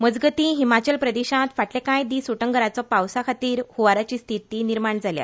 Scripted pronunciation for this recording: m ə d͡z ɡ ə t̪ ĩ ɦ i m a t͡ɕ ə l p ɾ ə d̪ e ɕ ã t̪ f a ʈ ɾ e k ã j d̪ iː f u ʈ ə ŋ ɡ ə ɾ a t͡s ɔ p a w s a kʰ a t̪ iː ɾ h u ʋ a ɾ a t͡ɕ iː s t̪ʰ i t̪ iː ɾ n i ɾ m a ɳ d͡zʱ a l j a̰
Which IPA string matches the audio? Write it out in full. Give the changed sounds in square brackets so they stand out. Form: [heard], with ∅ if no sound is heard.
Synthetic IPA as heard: m ə d͡z ɡ ə t̪ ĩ ɦ i m a t͡ɕ ə l p ɾ ə d̪ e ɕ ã t̪ f a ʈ [l] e k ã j d̪ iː [s] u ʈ ə ŋ ɡ ə ɾ a t͡s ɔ p a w s a kʰ a t̪ iː ɾ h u ʋ a ɾ a t͡ɕ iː s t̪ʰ i t̪ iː [∅] n i ɾ m a ɳ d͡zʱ a l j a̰